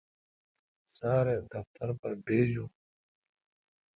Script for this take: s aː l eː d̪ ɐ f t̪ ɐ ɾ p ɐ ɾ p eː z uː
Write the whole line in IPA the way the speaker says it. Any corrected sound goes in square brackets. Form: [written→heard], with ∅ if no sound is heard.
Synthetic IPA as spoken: s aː [l→ɾ] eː d̪ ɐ f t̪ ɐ ɾ p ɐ ɾ [p→b] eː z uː

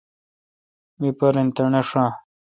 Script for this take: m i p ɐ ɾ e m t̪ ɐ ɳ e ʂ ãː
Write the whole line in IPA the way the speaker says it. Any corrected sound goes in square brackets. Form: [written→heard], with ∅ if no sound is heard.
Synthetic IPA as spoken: m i p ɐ ɾ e [m→n] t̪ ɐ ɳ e ʂ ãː

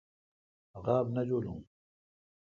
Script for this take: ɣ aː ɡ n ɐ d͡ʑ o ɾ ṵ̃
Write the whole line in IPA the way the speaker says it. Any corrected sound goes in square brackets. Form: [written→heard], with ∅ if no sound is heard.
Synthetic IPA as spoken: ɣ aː [ɡ→b] n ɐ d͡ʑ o [ɾ→l] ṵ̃

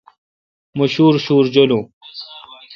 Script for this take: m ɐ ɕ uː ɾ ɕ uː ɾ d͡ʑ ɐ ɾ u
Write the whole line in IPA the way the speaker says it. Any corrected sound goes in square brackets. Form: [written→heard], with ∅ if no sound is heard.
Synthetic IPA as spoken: m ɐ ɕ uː ɾ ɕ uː ɾ d͡ʑ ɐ [ɾ→l] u

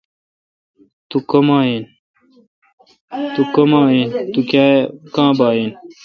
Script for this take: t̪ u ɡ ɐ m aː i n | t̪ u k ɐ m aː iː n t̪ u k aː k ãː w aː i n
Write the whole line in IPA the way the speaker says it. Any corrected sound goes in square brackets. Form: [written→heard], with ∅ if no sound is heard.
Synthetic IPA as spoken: t̪ u [ɡ→k] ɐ m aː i n | t̪ u k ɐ m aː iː n t̪ u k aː k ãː [w→b] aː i n

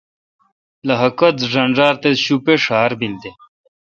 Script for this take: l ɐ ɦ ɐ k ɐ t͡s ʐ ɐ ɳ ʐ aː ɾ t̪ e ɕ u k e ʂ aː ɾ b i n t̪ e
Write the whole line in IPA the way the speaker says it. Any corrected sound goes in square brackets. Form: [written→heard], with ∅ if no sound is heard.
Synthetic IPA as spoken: l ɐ ɦ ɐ k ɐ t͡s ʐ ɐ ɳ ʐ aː ɾ t̪ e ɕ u [k→p] e ʂ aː ɾ b i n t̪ e

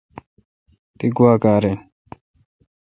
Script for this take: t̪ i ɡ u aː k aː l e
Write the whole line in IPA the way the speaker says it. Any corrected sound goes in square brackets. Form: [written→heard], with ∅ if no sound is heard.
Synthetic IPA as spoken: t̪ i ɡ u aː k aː [l→ɾ] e

